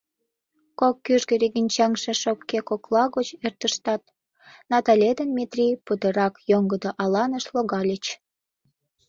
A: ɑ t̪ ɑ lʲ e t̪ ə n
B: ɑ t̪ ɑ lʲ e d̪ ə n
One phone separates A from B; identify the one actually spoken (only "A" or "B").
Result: B